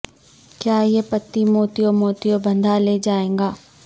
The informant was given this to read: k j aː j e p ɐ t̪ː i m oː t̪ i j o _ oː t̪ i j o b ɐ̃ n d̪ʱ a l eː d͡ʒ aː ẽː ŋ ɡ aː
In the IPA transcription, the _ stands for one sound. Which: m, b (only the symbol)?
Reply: m